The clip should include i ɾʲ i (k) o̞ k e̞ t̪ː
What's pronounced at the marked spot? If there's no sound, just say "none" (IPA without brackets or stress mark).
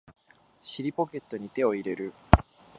p